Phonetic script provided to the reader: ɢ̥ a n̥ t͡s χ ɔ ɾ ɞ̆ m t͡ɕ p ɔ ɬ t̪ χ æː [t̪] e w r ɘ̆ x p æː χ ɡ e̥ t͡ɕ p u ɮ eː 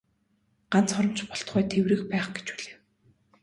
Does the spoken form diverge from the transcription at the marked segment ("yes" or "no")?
yes